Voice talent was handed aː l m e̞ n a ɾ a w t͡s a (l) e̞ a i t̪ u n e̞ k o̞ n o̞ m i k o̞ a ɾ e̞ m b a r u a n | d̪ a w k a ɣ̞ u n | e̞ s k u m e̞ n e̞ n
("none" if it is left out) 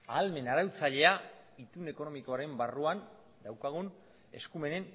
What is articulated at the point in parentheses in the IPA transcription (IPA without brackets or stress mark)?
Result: ʎ